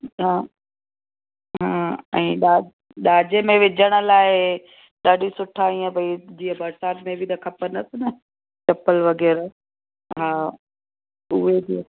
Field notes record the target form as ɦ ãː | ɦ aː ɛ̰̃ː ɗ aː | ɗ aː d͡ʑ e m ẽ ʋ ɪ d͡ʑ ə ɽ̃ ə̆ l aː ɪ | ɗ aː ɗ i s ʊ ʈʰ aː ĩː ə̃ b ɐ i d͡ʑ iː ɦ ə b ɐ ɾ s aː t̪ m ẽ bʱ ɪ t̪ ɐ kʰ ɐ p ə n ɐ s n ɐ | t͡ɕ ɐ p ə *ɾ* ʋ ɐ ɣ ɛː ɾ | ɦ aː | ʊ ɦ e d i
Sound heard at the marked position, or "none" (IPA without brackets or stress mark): l